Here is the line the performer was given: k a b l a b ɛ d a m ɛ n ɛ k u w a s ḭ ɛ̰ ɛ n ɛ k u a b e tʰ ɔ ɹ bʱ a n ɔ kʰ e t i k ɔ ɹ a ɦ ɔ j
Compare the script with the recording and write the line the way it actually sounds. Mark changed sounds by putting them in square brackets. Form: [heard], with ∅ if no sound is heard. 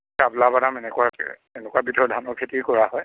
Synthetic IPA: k a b l a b [a] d a m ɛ n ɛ k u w a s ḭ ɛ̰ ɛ n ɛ k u a b [i] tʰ ɔ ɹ [dʱ] a n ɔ kʰ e t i k ɔ ɹ a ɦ ɔ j